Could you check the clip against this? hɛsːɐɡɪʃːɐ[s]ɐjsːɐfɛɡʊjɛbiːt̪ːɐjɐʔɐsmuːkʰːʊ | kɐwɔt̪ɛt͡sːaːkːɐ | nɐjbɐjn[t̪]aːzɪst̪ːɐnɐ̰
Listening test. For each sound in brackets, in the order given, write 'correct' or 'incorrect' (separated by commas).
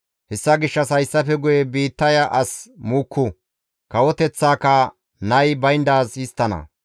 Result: correct, incorrect